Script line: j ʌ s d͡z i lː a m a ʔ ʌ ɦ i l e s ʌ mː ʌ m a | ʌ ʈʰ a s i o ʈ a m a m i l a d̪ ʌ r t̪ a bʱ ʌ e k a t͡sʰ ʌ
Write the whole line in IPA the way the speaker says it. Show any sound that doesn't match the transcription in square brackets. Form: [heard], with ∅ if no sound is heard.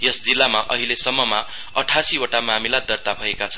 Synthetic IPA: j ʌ s d͡z i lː a m a ʔ ʌ ɦ i l e s ʌ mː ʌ m a | ʌ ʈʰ a s i o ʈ a m a m i l a d̪ ʌ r t̪ a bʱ ʌ e k a t͡sʰ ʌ

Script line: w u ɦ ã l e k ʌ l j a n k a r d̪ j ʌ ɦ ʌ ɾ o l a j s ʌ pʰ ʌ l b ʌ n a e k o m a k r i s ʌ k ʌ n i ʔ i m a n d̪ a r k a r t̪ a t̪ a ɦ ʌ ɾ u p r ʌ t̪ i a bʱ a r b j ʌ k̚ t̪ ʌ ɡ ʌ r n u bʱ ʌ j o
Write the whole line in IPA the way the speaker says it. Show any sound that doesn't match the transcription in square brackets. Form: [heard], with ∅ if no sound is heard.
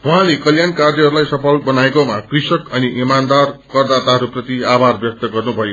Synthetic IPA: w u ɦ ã l e k ʌ l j a n k a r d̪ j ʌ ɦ ʌ ɾ [u] l a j s ʌ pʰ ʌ l b ʌ n a e k o m a k r i s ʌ k ʌ n i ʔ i m a n d̪ a r k [ʌ] r [d̪] a t̪ a ɦ ʌ ɾ u p r ʌ t̪ i a bʱ a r b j ʌ k̚ t̪ ʌ ɡ ʌ r n u bʱ ʌ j o

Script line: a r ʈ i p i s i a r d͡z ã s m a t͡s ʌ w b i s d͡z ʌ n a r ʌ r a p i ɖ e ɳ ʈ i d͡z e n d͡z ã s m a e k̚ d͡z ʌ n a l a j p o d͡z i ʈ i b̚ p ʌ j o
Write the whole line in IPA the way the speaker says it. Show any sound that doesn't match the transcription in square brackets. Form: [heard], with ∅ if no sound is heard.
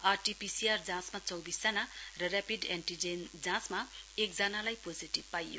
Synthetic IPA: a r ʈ i p i s i a r d͡z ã s m a t͡s ʌ w b i s d͡z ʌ n a r ʌ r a p i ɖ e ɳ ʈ i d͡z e n d͡z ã s m a e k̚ d͡z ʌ n a l a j p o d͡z i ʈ i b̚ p [a] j o

